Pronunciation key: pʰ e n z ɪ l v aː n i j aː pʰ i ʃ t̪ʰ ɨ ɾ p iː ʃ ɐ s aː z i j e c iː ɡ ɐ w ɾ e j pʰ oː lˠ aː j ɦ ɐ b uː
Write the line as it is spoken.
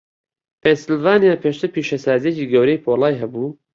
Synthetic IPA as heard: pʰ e n s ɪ l v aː n i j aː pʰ e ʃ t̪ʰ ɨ ɾ p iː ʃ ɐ s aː z i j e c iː ɡ ɐ w ɾ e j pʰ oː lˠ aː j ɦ ɐ b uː